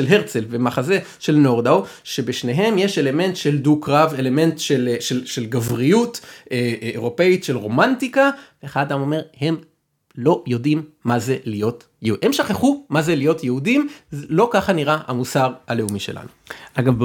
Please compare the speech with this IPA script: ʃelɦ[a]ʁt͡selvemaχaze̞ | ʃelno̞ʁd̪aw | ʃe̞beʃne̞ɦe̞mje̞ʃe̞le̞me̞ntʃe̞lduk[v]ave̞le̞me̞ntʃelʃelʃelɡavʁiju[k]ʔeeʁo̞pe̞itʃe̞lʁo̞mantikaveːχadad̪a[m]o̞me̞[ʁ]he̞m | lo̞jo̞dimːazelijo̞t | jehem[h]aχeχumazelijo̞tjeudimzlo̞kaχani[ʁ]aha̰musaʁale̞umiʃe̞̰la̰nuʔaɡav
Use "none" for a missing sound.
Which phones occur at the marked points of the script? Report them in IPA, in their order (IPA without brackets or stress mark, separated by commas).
e, ʁ, t, m, ʁ, ʃ, ʁ